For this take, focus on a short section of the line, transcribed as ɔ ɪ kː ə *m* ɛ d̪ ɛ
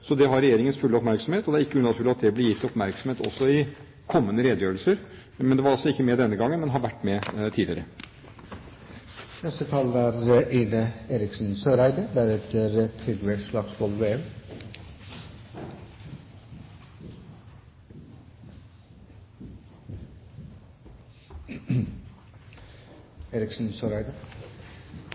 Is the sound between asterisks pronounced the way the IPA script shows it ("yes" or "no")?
yes